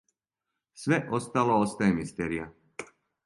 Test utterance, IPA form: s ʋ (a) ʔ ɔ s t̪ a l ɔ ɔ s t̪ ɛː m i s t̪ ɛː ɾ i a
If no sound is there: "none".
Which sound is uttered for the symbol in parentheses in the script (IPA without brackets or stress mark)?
ɛ